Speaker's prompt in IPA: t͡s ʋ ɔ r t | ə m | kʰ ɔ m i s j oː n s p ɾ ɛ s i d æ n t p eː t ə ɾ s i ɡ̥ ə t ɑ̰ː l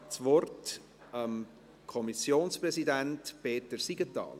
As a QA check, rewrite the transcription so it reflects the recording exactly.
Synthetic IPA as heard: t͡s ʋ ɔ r t | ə m | kʰ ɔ m i s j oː n s p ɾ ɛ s i d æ n t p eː t ə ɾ s i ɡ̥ ə t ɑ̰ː l